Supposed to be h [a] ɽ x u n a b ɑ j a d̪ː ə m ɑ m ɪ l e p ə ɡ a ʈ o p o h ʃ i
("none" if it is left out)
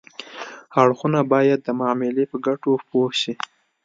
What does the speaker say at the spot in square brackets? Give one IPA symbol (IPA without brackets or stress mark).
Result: a